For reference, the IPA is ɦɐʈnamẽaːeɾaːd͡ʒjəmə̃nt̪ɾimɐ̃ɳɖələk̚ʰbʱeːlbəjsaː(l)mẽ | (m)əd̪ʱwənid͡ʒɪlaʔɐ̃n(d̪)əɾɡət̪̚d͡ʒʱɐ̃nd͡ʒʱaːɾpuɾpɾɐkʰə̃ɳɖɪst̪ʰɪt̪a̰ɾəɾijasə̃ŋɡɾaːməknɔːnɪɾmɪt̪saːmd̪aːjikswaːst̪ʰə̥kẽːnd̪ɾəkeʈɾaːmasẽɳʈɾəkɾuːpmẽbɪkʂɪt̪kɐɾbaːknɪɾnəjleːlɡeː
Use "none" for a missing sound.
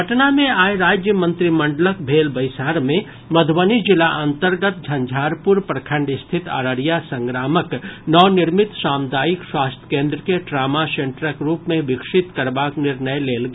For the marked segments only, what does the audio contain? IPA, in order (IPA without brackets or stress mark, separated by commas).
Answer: ɾ, m, t̪